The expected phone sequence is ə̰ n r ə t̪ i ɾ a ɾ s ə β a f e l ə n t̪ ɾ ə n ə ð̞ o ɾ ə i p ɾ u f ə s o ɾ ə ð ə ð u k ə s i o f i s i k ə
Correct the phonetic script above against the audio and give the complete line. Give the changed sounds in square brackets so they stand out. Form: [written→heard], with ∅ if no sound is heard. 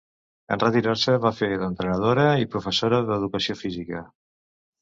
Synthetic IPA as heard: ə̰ n r ə t̪ i ɾ a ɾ s ə β a f e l ə n t̪ ɾ ə n ə ð̞ o ɾ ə i p ɾ u f ə s o ɾ ə ð ə ð u k ə s i o f i [s→z] i k ə